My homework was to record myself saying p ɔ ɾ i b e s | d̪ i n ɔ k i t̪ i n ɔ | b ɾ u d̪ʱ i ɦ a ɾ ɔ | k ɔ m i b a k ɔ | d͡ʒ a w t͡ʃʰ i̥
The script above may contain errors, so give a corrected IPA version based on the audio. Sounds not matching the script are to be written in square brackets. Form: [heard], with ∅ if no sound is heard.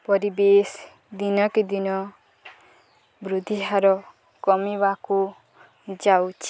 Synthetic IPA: p ɔ ɾ i b e s | d̪ i n ɔ k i [d̪] i n ɔ | b ɾ u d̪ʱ i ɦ a ɾ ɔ | k ɔ m i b a k [u] | d͡ʒ a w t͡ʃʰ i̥